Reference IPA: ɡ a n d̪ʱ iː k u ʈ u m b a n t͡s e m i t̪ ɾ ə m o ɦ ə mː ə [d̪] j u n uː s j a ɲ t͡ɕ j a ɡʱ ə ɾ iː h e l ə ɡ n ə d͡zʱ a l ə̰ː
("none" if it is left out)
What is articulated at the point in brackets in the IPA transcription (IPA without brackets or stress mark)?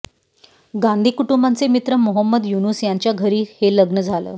d̪